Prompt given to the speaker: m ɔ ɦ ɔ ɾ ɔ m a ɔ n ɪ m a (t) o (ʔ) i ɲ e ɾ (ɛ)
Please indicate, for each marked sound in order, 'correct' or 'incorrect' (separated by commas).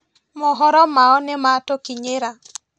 correct, incorrect, incorrect